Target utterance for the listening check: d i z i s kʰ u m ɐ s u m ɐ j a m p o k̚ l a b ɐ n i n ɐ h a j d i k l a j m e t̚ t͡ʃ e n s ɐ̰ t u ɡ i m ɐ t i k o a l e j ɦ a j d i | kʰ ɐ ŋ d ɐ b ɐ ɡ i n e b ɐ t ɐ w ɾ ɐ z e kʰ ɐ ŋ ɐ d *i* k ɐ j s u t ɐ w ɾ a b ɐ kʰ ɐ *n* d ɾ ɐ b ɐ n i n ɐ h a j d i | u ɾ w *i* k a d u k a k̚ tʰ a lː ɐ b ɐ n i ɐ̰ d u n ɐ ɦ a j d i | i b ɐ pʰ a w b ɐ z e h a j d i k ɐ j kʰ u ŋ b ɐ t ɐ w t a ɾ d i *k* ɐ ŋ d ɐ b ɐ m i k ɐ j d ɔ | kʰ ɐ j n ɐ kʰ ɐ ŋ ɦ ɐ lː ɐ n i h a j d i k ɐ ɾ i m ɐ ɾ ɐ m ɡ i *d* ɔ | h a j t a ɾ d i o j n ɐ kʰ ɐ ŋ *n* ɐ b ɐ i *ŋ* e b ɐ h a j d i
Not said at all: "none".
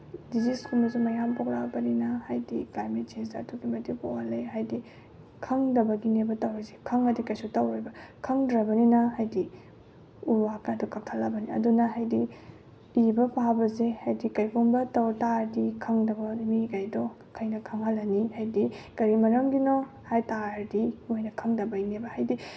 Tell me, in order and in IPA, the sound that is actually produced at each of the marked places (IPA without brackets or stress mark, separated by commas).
i, ŋ, a, kʰ, n, d, n